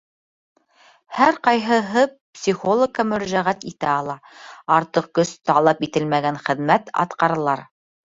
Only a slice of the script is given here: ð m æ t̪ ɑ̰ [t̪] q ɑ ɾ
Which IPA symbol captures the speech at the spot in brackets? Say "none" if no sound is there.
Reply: t̪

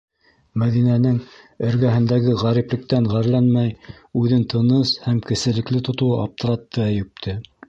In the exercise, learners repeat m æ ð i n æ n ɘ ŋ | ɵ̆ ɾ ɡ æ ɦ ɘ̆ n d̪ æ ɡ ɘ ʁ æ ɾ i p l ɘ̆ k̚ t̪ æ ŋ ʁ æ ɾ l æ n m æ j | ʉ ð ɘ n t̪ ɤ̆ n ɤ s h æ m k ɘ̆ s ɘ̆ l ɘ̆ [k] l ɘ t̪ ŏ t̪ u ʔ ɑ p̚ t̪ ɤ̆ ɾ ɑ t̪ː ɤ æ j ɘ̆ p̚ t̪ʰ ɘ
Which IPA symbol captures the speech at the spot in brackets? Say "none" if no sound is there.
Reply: k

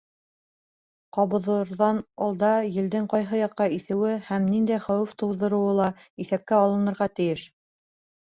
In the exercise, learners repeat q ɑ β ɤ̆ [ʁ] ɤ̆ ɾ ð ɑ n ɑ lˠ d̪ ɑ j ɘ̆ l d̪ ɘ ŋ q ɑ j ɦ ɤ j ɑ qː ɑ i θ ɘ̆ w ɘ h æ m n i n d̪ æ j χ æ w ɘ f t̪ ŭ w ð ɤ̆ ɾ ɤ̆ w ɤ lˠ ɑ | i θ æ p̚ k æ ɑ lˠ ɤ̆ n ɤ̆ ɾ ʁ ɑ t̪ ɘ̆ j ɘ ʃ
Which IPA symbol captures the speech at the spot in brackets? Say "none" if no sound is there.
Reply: ð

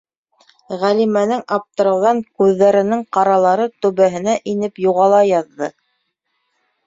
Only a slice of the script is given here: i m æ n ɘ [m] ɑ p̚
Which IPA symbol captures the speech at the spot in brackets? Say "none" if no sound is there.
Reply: ŋ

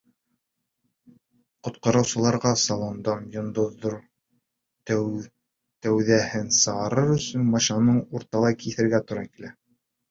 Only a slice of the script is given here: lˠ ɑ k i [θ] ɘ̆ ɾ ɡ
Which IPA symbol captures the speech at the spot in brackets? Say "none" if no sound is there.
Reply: θ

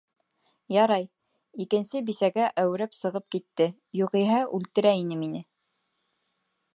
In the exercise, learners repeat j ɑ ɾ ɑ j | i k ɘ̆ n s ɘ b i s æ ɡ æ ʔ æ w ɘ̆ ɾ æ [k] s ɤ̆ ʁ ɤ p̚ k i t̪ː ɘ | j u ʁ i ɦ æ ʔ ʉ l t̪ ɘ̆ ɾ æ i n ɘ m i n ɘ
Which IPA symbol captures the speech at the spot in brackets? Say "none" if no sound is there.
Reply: p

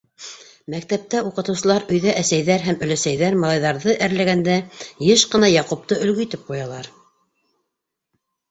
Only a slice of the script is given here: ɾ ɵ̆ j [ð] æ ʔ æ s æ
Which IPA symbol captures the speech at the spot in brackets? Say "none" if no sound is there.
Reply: ð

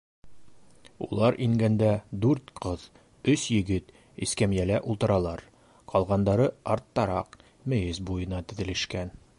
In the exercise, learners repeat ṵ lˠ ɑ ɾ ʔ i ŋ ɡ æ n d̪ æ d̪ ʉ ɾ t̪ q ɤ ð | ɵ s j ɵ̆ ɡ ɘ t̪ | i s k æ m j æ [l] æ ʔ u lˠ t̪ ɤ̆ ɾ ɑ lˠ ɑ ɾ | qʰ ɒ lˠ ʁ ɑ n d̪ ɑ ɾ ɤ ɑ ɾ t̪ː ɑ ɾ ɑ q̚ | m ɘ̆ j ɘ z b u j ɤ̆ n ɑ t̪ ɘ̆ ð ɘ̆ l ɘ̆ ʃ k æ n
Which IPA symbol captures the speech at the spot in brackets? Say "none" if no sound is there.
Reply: l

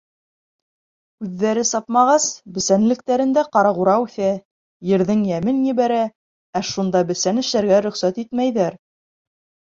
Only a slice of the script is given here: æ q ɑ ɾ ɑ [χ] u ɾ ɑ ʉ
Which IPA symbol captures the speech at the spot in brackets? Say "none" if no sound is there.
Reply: ʁ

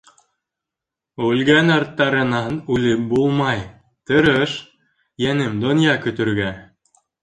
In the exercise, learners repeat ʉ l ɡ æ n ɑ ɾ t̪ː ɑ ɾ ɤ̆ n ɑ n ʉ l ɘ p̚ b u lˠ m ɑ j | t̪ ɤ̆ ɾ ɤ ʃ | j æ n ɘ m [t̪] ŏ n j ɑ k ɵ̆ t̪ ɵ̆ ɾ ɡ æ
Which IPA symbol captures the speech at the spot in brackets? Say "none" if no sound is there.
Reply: d̪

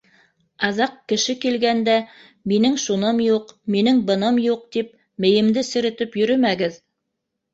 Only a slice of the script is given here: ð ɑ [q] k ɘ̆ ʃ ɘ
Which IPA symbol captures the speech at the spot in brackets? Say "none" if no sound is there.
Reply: q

